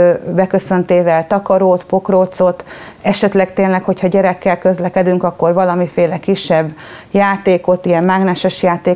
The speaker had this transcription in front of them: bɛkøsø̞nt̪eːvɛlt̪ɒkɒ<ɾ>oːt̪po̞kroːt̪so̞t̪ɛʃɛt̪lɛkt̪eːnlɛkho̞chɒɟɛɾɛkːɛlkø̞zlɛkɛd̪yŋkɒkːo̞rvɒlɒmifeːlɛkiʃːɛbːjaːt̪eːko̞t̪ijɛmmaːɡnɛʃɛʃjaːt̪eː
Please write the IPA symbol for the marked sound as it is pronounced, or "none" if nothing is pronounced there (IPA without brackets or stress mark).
ɾ